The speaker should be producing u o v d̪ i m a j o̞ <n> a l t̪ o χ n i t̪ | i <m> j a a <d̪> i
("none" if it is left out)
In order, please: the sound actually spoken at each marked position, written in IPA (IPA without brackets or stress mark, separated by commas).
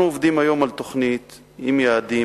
m, m, d̪